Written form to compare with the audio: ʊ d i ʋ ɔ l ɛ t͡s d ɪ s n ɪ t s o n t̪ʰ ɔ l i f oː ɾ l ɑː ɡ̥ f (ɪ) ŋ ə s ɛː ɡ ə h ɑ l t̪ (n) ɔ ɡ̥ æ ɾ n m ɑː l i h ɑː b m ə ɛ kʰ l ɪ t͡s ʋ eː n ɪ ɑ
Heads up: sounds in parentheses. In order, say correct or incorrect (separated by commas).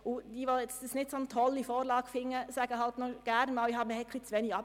correct, correct